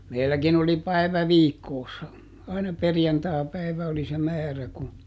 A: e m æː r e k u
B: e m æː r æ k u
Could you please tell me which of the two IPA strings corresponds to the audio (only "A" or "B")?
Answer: B